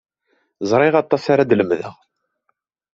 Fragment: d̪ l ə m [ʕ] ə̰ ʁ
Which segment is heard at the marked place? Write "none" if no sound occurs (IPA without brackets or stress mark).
ð